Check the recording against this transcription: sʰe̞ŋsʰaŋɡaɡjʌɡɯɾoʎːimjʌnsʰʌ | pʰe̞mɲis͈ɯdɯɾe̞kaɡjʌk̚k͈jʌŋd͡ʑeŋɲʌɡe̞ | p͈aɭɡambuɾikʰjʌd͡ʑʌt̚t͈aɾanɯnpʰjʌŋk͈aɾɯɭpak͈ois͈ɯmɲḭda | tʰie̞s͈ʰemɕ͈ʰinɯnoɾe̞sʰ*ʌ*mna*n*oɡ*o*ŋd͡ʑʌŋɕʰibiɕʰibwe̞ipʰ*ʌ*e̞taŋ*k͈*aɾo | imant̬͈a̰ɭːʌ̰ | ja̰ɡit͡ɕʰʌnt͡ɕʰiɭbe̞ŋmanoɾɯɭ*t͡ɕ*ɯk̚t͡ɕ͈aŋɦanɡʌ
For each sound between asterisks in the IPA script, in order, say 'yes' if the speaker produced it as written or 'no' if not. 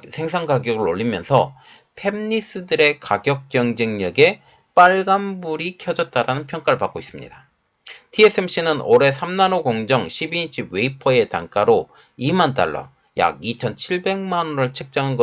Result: no, yes, yes, yes, yes, no

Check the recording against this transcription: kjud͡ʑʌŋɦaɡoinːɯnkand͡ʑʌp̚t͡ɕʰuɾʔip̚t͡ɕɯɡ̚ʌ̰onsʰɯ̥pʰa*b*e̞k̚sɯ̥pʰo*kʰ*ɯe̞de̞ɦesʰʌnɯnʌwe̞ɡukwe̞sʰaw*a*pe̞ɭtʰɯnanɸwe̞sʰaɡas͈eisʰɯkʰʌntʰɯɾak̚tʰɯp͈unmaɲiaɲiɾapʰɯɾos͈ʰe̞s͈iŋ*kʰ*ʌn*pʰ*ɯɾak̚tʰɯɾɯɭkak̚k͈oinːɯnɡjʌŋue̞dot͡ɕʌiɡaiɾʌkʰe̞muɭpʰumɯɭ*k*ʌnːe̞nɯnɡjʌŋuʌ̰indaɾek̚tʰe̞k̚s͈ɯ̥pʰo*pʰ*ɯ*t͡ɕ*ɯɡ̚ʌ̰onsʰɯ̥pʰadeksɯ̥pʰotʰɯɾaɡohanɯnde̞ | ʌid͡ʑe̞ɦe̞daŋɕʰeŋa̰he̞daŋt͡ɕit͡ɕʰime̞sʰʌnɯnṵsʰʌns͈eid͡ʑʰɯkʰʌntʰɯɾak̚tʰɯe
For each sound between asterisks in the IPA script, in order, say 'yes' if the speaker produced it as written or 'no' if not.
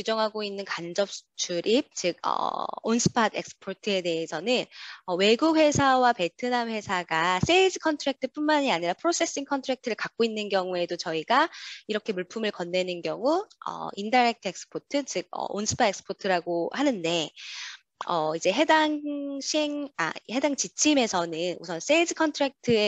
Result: no, no, yes, yes, no, yes, no, yes

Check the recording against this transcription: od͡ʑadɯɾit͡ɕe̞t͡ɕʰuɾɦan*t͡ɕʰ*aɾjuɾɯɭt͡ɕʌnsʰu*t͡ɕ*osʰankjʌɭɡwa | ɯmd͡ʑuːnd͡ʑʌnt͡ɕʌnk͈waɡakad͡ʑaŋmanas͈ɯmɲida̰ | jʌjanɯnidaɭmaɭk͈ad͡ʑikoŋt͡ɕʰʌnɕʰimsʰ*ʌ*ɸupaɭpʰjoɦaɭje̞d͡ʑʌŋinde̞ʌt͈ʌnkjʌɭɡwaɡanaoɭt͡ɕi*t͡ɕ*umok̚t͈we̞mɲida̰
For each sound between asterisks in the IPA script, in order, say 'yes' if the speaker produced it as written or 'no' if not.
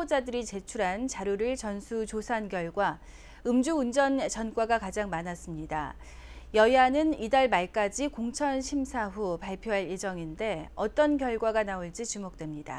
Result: no, yes, no, yes

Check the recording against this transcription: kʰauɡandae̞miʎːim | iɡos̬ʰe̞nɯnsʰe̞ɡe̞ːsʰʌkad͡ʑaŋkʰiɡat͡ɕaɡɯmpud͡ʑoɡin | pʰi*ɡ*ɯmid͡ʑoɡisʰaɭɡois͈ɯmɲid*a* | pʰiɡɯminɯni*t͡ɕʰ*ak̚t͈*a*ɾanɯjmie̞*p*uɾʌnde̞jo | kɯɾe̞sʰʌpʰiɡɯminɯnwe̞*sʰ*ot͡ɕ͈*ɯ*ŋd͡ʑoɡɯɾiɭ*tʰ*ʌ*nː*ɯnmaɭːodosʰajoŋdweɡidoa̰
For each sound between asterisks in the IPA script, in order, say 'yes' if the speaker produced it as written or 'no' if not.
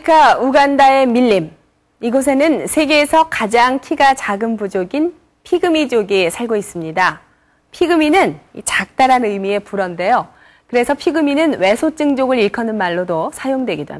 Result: yes, yes, no, yes, yes, yes, yes, no, no

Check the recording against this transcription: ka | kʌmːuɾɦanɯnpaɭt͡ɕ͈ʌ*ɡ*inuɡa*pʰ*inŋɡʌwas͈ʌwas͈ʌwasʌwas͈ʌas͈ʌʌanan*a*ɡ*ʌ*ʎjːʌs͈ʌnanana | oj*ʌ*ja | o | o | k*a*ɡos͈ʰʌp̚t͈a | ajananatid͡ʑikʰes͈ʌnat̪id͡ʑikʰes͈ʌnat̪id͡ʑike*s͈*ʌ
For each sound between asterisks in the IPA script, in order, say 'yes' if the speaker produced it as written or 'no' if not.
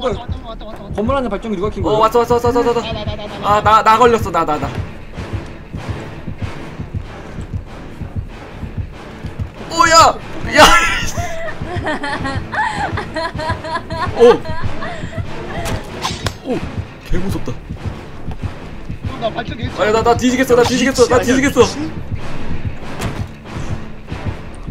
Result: no, no, yes, yes, no, no, yes

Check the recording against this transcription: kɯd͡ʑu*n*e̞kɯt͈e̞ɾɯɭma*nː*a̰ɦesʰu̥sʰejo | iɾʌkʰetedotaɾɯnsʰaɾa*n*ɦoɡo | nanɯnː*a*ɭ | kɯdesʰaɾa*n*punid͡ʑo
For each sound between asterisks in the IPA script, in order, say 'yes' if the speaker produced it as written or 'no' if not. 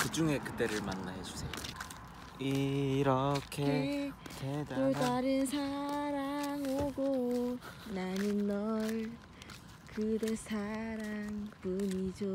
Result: no, yes, no, no, no

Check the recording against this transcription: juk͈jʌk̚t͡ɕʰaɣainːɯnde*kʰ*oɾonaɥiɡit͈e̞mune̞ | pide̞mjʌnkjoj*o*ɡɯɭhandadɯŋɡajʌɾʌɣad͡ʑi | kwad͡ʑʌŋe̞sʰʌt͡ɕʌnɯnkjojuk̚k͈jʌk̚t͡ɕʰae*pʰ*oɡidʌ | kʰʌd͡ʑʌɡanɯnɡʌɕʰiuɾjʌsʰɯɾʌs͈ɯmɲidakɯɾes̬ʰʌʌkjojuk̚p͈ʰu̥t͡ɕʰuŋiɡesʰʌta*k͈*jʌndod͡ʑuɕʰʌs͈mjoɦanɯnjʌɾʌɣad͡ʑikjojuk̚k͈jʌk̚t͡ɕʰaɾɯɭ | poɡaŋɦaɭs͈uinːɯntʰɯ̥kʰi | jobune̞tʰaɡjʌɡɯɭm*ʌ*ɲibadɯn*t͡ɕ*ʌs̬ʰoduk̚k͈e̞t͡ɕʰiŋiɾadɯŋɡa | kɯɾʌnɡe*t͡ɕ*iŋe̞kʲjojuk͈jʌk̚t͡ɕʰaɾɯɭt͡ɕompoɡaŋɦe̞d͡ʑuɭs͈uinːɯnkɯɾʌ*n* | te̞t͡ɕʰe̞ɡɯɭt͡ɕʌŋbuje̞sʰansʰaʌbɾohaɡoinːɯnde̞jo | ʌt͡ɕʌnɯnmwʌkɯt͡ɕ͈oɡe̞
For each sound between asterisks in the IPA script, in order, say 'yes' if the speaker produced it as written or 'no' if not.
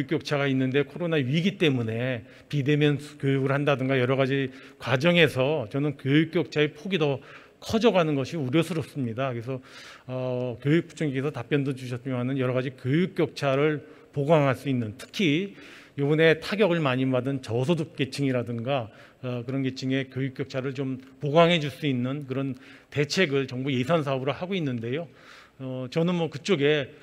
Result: yes, no, yes, no, no, yes, no, yes

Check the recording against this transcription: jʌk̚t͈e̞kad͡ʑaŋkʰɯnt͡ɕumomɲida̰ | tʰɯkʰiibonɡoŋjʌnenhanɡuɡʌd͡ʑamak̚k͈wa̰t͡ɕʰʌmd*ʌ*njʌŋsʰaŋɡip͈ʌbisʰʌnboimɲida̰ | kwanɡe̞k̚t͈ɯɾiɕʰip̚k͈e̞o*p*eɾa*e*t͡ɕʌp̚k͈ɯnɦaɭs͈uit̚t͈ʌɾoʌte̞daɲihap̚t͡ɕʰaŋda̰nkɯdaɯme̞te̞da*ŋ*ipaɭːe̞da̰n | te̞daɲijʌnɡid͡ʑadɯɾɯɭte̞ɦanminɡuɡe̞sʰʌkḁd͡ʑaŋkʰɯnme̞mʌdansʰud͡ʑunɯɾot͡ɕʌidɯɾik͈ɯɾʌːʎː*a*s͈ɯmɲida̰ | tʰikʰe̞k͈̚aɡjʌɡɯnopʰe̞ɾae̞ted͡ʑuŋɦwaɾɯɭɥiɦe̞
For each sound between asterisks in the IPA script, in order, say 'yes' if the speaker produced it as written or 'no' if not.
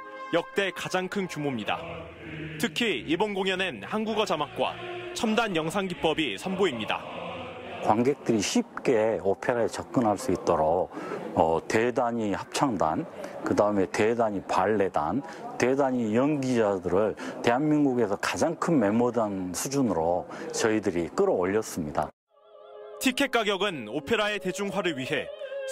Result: no, no, yes, no, no

